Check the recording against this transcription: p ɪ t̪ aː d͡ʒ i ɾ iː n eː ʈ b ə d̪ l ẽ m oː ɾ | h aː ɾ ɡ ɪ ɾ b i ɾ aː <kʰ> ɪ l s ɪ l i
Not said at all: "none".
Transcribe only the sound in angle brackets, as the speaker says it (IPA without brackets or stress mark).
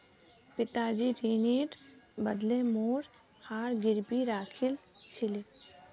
kʰ